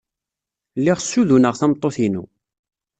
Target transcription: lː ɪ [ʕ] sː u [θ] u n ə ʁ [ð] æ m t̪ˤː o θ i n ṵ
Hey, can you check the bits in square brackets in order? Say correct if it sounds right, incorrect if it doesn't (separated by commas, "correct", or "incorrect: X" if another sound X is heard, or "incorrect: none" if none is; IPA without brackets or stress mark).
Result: incorrect: ʁ, incorrect: ð, incorrect: θ